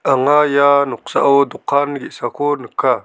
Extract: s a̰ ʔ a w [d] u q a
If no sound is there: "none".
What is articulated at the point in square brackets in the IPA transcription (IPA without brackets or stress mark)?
d